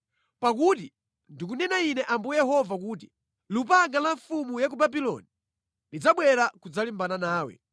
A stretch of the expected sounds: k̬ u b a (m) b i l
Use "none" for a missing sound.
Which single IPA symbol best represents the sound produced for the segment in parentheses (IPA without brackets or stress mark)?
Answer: none